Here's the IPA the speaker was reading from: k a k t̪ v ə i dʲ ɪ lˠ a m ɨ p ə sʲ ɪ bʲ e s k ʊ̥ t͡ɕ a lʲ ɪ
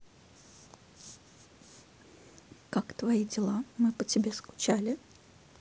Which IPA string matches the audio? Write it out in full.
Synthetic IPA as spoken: k a k t̪ v ɐ i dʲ ɪ lˠ a m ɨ p ə tʲ ɪ bʲ e s k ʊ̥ t͡ɕ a lʲ ɪ

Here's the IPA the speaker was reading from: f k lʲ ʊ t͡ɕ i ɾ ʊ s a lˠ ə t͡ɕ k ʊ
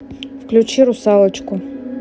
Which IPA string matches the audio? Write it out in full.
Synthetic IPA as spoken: f k lʲ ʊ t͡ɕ i ɾ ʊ s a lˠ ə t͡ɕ k ʊ

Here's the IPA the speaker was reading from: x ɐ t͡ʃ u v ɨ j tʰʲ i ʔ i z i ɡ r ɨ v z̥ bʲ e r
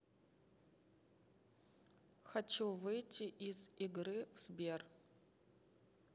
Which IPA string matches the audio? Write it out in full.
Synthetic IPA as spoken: x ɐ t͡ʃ u v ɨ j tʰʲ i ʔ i z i ɡ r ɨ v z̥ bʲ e r

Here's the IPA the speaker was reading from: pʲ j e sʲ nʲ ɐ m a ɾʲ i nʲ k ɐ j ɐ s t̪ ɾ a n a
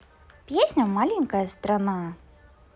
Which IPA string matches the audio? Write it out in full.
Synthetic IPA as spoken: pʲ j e sʲ nʲ ɐ m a lʲ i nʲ k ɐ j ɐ s t̪ ɾ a n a

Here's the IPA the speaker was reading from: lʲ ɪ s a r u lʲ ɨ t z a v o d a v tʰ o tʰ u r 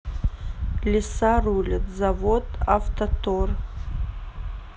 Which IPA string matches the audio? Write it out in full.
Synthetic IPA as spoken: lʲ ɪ s a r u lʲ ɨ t z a v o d a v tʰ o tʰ o r

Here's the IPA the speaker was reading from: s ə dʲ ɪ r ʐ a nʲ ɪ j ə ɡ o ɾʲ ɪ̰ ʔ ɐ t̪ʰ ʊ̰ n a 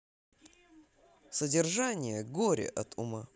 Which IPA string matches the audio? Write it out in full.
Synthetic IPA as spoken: s ə dʲ ɪ r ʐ a nʲ ɪ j ə ɡ o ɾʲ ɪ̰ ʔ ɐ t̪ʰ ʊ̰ m a

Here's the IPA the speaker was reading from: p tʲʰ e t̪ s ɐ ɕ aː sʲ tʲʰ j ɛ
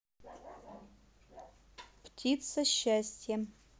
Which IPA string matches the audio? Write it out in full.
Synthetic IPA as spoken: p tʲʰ i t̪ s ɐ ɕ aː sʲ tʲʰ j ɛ

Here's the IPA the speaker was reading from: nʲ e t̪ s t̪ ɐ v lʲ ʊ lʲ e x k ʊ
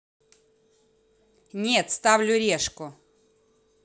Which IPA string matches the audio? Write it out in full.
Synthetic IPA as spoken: nʲ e t̪ s t̪ a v lʲ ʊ ɾʲ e ʂ k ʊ

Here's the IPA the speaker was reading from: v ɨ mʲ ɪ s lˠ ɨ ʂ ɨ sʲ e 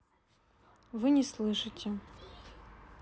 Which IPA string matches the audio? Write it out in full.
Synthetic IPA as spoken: v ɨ nʲ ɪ s lˠ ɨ ʂ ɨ tʲ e

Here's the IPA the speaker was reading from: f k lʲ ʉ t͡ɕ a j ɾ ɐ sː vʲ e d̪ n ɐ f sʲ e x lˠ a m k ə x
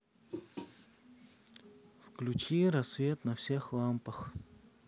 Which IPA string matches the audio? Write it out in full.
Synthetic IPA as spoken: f k lʲ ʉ t͡ɕ i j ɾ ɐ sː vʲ e t̪ n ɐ f sʲ e x lˠ a m p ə x

